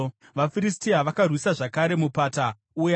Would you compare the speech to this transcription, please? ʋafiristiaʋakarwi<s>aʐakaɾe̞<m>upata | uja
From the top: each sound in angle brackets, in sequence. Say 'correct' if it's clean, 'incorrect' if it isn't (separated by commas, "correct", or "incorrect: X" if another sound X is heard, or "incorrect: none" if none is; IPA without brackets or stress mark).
correct, correct